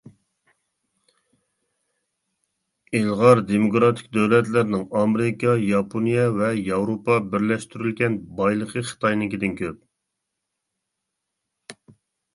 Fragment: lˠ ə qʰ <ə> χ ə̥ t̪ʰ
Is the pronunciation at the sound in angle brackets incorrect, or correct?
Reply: correct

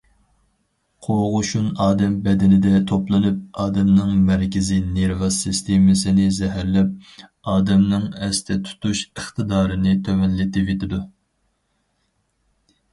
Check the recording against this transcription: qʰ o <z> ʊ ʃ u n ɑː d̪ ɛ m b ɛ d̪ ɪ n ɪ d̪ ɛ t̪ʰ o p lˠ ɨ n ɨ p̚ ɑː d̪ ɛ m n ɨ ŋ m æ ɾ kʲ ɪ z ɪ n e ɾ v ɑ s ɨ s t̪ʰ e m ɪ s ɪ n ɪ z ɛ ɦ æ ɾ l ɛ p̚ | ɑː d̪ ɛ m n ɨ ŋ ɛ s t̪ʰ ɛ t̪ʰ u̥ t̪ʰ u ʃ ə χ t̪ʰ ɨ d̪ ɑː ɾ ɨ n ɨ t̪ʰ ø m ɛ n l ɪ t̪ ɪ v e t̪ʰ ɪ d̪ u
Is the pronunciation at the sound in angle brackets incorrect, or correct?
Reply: incorrect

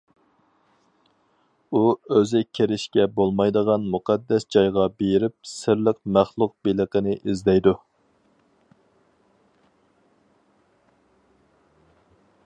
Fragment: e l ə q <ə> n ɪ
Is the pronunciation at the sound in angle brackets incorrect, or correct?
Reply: correct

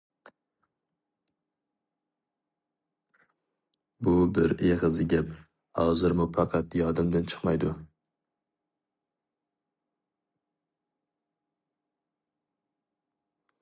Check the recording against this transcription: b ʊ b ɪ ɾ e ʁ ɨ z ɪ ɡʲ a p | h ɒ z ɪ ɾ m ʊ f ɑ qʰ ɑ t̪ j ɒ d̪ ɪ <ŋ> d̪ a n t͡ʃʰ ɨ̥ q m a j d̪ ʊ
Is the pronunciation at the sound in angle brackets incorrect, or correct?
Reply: incorrect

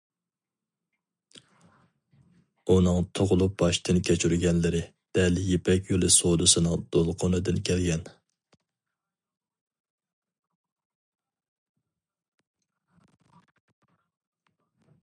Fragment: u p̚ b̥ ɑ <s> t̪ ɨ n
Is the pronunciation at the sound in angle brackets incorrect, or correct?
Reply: incorrect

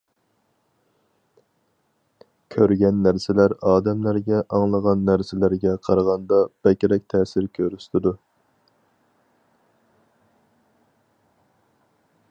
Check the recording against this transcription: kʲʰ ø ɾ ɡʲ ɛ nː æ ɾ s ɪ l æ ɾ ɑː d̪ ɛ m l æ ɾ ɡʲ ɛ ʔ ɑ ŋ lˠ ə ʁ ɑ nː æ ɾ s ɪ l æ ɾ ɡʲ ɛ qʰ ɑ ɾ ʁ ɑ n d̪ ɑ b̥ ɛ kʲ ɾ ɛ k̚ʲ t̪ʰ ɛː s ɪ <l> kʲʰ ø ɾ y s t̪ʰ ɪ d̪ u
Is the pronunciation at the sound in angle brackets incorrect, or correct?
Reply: incorrect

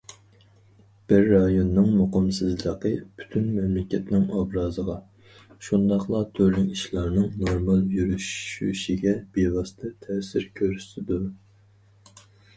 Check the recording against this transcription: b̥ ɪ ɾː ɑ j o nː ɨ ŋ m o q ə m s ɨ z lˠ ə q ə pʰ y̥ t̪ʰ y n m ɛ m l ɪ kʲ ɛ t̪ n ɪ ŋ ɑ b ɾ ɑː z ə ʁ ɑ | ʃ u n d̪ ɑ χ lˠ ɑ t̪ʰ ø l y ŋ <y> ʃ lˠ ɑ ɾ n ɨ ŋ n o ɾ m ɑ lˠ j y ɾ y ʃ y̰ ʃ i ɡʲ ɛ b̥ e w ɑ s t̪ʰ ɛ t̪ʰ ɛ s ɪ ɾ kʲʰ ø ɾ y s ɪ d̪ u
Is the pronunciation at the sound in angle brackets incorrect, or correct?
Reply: incorrect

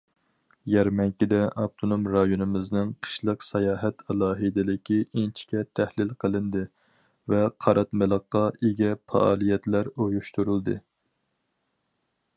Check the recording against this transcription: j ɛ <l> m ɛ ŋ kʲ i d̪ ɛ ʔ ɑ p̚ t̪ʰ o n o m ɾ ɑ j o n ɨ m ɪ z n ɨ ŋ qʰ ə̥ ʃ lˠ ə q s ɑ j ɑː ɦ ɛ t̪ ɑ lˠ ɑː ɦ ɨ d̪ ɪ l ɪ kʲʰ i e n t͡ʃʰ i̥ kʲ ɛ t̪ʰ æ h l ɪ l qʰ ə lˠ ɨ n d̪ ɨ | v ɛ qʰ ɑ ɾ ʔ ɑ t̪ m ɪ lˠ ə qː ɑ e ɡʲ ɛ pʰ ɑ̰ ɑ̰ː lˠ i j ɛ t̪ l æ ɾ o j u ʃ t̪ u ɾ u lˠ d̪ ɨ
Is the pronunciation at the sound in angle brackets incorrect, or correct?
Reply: incorrect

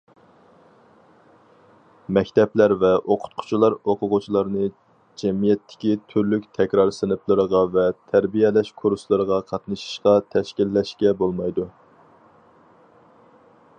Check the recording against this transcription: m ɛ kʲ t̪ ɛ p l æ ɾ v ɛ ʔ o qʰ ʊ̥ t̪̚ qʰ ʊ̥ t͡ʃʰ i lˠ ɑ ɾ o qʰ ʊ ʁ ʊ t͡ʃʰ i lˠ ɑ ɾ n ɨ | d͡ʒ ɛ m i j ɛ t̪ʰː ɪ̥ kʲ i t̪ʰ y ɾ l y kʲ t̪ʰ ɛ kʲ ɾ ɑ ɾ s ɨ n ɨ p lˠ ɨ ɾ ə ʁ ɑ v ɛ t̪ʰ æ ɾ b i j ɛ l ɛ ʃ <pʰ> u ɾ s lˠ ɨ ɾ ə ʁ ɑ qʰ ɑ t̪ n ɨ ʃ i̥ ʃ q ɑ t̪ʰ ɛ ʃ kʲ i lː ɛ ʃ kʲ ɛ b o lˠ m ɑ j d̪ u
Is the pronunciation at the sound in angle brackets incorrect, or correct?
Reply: incorrect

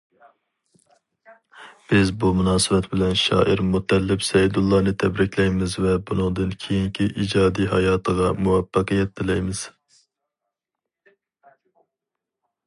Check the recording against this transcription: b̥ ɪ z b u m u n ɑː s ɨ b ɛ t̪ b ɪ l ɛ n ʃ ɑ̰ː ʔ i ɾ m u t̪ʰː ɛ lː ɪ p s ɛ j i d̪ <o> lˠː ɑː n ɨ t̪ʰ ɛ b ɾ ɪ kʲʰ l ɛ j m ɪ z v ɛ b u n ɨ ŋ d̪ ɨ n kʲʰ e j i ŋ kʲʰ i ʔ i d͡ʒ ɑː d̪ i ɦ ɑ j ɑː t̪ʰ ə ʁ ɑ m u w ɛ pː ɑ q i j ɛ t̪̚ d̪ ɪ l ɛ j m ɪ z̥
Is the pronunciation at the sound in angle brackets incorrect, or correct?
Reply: incorrect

